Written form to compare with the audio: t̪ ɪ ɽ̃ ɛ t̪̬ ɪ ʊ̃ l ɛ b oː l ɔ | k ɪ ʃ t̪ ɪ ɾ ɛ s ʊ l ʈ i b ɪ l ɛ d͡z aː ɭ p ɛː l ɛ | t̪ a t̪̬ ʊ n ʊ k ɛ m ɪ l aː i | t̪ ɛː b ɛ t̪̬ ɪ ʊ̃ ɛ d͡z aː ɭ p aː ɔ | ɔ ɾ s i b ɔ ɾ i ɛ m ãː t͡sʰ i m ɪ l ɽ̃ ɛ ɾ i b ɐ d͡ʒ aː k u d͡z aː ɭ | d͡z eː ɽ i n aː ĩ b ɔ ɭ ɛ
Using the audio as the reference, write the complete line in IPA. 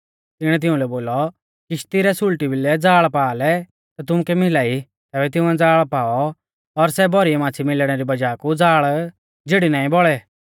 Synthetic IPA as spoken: t̪ ɪ ɽ̃ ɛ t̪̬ ɪ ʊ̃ l ɛ b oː l ɔ | k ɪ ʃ t̪ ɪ ɾ ɛ s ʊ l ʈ i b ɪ l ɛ d͡z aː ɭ p aː l ɛ | t̪ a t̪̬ ʊ m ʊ k ɛ m ɪ l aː i | t̪ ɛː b ɛ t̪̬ ɪ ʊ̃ ɛ d͡z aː ɭ p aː ɔ | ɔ ɾ s ɛ b ɔ ɾ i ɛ m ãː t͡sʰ i m ɪ l ɽ̃ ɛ ɾ i b ɐ d͡ʒ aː k u d͡z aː ɭ | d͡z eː ɽ i n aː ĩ b ɔ ɭ ɛ